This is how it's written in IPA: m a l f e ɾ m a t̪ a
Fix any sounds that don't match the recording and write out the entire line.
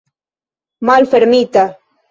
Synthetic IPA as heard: m a l f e ɾ m i t̪ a